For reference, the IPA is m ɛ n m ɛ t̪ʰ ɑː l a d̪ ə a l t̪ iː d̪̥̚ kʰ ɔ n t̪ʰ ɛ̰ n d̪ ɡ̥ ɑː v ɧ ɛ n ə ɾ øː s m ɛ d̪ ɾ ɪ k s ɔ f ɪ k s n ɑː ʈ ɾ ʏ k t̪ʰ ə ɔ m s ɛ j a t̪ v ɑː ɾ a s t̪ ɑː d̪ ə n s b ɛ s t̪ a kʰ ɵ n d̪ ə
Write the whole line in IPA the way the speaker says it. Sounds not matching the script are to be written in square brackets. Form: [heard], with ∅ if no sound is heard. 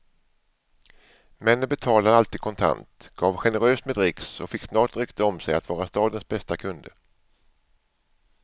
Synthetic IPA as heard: m ɛ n [b] ɛ t̪ʰ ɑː l a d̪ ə a l t̪ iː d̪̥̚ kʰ ɔ n t̪ʰ [a̰] n [t̪] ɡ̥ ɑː v ɧ ɛ n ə ɾ øː s m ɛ d̪ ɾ ɪ k s ɔ f ɪ k s n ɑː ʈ ɾ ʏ k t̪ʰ ə ɔ m s ɛ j a t̪ v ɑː ɾ a s t̪ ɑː d̪ ə n s b ɛ s t̪ a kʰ ɵ n d̪ ə